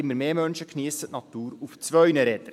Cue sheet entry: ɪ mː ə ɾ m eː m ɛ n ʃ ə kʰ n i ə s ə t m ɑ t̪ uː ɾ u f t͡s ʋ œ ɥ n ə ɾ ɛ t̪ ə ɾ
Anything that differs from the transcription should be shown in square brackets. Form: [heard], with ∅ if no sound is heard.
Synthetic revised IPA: ɪ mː ə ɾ m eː m [œ] n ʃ ə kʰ n i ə s ə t [n] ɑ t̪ uː ɾ u f t͡s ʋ œ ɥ n ə ɾ ɛ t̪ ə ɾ